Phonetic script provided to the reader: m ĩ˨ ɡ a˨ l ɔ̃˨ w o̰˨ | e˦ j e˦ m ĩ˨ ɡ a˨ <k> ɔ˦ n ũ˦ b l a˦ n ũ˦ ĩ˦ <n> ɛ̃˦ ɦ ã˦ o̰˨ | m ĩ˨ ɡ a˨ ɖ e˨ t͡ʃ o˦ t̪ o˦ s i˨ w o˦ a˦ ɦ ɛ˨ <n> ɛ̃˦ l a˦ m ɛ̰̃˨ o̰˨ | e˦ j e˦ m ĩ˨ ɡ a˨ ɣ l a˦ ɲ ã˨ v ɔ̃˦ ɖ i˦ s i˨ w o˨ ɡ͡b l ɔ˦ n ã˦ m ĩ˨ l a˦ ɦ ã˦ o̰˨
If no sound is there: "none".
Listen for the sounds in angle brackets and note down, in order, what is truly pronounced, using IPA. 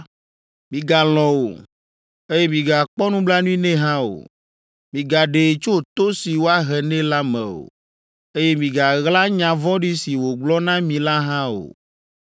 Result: k͡p, n, n

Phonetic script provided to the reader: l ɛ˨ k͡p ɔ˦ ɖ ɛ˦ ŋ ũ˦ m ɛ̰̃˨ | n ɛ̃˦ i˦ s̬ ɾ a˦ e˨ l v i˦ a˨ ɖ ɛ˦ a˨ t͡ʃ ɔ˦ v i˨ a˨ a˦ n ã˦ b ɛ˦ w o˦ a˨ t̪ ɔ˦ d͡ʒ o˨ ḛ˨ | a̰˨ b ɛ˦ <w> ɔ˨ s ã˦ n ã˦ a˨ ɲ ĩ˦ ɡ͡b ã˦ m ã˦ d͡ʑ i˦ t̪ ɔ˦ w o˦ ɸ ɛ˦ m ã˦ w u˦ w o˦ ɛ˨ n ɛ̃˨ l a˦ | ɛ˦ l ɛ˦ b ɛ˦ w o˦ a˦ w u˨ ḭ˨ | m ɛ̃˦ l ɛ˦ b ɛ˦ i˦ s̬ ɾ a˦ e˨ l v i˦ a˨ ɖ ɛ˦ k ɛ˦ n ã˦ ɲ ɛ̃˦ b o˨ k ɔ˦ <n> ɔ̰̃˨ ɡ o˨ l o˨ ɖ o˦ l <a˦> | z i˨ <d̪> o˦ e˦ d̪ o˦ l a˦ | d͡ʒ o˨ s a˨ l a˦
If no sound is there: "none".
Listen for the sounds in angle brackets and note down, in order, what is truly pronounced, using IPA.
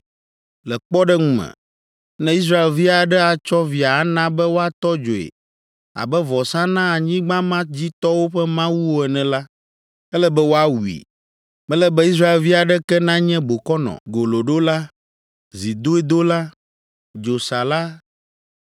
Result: v, n, a˦, d̪

